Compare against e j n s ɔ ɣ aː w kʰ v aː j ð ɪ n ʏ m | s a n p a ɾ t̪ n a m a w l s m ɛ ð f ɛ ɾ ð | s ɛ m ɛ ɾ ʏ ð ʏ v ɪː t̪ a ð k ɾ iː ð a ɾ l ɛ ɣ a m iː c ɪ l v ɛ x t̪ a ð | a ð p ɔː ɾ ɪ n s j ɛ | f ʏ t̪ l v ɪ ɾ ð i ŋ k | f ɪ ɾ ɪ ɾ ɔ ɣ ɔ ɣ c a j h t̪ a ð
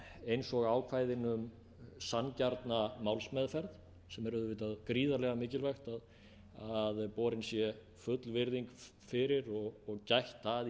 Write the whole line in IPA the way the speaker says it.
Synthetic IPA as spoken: e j n s ɔ ɣ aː w kʰ v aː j ð ɪ n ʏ m | s a n c a ɾ t̪ n a m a w l s m ɛ ð f ɛ ɾ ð | s ɛ m ɛ ɾ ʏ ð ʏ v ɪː t̪ a ð k ɾ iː ð a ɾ l ɛ ɣ a m ɪː c ɪ l v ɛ x t̪ a ð | a ð p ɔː ɾ ɪ n s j ɛ | f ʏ t̪ l v ɪ ɾ ð i ŋ k | f ɪ ɾ ɪ ɾ ɔ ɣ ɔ ɣ c a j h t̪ a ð